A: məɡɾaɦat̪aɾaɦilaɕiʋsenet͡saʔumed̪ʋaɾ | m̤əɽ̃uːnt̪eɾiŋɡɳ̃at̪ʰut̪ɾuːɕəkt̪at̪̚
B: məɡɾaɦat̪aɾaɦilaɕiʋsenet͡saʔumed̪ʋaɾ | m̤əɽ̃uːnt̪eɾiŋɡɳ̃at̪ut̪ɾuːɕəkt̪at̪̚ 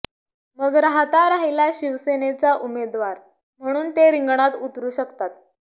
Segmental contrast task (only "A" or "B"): B